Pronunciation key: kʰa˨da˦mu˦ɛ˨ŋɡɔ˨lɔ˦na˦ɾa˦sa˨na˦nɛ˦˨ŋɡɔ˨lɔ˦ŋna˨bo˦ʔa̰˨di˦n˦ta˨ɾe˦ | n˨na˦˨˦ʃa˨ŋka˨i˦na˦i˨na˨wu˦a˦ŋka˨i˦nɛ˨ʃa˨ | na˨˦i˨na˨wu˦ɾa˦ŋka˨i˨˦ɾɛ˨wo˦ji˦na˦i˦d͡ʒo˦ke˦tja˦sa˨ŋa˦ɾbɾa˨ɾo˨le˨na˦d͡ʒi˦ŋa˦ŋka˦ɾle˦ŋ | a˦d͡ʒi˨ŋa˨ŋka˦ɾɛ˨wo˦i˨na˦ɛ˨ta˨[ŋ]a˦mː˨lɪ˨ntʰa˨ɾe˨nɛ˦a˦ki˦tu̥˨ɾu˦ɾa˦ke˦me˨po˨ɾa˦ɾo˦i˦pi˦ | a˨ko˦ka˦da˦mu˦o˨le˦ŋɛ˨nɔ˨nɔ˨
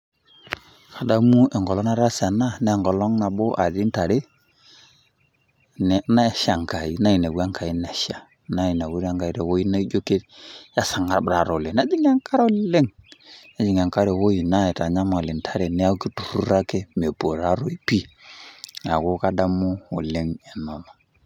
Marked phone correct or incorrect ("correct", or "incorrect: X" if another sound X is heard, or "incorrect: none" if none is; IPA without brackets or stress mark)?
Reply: incorrect: ɲ